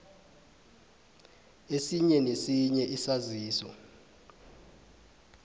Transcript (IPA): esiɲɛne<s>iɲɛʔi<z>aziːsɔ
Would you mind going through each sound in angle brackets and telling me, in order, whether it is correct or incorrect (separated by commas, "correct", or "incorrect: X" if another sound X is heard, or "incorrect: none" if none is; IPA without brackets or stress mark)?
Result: correct, incorrect: s